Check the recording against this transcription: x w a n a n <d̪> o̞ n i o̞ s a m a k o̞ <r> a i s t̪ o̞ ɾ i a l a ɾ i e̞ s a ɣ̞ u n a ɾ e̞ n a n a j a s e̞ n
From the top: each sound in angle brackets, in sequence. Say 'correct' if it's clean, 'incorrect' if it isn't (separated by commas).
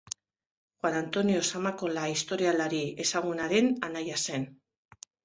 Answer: incorrect, incorrect